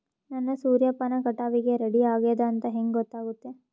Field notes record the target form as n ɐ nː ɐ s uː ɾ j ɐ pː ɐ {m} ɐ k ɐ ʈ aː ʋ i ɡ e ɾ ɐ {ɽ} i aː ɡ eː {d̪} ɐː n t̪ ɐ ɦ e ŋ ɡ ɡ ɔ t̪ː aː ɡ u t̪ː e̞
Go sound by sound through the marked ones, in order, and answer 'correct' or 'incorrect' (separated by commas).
incorrect, correct, correct